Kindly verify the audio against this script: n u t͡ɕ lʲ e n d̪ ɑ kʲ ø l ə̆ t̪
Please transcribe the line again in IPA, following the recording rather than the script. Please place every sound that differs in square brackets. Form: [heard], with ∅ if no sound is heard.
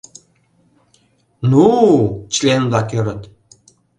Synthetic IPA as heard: n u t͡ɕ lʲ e n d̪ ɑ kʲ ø [ɾ] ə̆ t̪